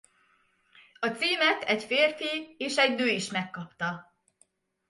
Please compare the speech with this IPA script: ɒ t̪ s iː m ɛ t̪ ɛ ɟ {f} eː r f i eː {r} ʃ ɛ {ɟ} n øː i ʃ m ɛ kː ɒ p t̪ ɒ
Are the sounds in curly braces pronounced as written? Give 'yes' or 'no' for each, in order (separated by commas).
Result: yes, no, yes